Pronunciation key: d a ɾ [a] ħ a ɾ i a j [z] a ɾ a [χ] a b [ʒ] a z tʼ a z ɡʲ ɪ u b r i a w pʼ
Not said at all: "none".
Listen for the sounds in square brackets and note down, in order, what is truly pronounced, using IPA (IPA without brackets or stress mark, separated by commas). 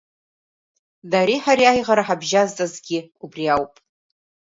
i, ʁ, ħ, ʒ